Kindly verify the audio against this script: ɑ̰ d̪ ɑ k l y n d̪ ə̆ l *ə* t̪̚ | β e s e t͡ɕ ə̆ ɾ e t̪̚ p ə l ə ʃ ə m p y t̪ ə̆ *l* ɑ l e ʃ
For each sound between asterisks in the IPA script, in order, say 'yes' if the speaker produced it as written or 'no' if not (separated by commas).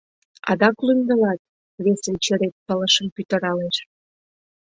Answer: no, no